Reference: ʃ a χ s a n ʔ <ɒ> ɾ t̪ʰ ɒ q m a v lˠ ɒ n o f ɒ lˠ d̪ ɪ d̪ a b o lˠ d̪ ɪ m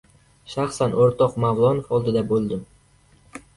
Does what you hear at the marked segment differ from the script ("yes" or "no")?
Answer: yes